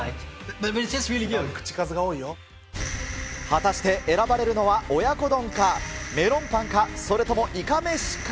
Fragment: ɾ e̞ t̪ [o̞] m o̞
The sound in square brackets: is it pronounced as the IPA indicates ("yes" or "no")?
yes